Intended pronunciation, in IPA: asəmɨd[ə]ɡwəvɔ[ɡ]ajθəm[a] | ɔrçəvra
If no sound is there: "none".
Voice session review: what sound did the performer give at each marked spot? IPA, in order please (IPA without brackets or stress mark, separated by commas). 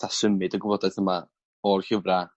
ə, d, a